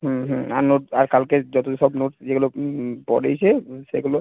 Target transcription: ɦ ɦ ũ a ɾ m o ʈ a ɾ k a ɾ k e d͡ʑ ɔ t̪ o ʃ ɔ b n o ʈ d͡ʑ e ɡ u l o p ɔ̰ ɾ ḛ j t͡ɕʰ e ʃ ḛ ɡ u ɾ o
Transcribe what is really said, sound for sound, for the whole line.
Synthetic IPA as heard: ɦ ɦ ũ a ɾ n o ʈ a ɾ k a l k e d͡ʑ ɔ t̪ o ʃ ɔ b n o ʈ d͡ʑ e ɡ u l o p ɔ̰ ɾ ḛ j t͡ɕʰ e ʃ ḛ ɡ u l o